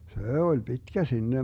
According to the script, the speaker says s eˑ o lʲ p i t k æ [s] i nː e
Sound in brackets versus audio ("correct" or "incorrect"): correct